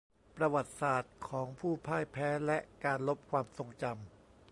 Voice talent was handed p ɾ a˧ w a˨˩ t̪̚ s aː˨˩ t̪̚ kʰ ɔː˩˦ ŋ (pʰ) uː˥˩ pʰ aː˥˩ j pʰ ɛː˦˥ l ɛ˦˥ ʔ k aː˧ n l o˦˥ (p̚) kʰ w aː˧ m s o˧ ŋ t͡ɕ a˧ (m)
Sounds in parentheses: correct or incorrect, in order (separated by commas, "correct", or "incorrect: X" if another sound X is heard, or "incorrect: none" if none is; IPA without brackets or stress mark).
correct, correct, correct